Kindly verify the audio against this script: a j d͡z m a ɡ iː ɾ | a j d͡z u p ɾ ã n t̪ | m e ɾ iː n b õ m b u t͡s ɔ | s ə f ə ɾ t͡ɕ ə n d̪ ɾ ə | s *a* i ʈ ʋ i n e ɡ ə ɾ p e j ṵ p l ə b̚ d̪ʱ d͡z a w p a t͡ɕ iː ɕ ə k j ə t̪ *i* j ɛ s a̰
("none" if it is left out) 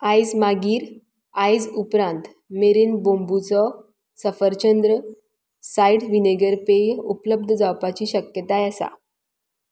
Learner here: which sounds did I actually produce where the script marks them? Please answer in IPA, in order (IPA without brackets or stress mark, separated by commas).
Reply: a, a